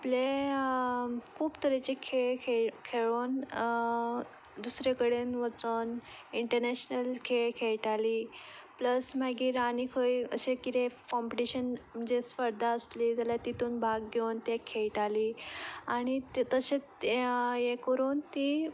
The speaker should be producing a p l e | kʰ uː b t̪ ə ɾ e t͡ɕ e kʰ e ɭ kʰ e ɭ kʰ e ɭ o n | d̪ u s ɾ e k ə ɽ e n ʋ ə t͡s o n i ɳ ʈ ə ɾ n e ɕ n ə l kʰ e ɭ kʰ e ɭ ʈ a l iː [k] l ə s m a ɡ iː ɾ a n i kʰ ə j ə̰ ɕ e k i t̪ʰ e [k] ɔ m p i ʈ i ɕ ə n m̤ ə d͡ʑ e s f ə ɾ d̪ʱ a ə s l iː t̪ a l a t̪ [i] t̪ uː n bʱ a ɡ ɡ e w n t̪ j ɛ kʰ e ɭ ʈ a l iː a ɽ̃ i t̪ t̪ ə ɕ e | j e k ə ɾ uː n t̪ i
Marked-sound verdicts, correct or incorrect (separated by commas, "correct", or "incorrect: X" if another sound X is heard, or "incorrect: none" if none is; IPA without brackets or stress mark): incorrect: p, correct, correct